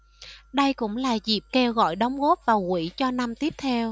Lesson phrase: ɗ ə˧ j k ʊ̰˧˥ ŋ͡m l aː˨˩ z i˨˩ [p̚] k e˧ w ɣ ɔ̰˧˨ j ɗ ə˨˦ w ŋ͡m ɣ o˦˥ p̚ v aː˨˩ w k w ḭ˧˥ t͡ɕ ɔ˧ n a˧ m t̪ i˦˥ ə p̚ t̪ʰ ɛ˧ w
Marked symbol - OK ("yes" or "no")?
yes